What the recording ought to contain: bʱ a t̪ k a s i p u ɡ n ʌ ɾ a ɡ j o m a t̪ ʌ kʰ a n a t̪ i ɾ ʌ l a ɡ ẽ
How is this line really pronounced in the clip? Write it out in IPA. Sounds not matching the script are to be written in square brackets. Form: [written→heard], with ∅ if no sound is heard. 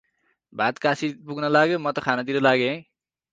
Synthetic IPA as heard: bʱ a t̪ k a s i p u ɡ n ʌ [ɾ→l] a ɡ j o m [a→ʌ] t̪ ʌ kʰ a n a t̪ i ɾ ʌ l a ɡ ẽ